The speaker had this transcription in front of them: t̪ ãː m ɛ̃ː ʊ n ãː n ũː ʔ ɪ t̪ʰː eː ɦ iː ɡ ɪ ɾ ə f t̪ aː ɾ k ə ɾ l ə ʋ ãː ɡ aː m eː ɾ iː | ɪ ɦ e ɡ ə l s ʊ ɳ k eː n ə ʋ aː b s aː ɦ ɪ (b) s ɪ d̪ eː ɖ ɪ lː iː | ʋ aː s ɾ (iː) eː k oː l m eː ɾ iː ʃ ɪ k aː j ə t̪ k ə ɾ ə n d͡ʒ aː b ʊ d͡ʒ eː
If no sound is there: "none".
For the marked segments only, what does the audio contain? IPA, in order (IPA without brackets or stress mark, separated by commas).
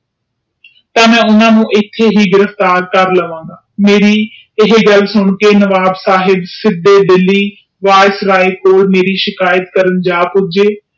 b, aː